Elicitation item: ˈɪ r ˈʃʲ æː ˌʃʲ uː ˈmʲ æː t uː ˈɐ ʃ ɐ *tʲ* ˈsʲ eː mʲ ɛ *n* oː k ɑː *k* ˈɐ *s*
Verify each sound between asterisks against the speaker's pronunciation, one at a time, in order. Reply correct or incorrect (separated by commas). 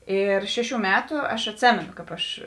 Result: correct, correct, incorrect, incorrect